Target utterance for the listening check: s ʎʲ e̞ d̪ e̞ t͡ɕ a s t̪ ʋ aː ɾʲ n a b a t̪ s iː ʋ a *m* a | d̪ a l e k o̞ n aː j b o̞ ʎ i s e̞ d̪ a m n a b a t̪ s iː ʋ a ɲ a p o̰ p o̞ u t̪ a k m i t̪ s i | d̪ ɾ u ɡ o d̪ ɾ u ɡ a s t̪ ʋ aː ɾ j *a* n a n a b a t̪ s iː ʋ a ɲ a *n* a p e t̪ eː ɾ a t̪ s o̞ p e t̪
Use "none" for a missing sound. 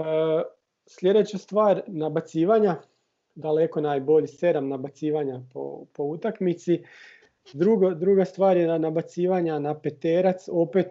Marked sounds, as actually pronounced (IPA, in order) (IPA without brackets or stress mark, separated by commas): ɲ, e, n